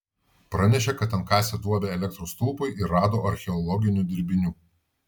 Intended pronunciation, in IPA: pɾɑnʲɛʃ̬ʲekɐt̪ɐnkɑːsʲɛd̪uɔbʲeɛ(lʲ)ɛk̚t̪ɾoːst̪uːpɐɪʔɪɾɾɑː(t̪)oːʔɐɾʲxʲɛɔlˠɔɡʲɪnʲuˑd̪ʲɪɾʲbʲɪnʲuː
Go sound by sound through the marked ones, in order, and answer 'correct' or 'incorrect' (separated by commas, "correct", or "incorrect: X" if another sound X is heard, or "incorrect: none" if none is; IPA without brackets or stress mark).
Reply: correct, incorrect: d̪